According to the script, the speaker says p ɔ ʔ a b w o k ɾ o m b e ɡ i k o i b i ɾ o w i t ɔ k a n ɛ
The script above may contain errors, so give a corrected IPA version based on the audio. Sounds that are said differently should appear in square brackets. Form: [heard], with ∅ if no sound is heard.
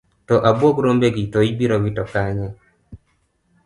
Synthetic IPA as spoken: [t] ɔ ʔ a b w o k ɾ o m b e ɡ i [t] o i b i ɾ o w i t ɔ k a [ɲ] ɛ